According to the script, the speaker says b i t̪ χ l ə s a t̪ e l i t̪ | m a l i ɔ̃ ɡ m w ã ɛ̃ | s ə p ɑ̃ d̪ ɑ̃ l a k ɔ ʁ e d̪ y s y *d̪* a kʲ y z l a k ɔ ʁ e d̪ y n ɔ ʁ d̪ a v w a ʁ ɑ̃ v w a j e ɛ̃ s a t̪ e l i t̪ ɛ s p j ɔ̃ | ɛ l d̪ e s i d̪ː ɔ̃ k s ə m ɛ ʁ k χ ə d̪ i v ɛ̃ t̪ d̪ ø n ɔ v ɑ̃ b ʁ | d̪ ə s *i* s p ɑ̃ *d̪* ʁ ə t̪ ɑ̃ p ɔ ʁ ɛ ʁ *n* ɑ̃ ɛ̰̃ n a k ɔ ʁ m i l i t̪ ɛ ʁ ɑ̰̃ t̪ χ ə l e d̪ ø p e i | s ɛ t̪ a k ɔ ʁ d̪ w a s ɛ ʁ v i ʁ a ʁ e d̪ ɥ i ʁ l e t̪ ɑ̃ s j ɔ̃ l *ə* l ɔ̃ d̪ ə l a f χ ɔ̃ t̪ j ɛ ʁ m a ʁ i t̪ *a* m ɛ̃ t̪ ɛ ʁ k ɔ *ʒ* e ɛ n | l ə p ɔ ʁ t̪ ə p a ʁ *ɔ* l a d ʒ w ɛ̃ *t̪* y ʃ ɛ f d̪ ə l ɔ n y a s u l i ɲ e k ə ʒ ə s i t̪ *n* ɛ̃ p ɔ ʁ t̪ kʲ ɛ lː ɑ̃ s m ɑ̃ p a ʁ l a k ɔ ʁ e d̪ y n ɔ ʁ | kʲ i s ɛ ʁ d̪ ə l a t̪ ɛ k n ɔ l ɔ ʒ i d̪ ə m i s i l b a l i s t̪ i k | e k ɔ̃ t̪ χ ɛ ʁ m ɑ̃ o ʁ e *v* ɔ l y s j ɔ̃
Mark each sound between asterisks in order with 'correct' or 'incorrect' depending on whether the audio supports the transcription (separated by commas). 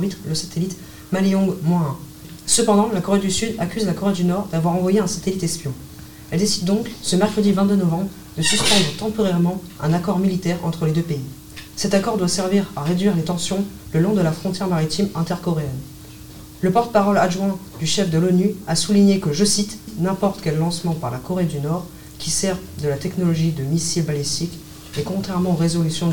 correct, incorrect, correct, incorrect, correct, incorrect, incorrect, correct, incorrect, correct, incorrect